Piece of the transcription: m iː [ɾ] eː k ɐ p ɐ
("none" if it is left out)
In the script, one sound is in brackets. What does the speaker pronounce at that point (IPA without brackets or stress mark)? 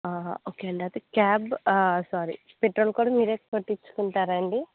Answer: ɾ